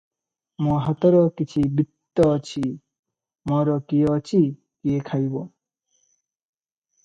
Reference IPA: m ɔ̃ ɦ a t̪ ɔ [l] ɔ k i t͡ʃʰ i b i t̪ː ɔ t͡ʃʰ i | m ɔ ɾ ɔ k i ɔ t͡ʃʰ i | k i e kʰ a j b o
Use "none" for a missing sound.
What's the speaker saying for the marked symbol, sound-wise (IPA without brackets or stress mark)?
ɾ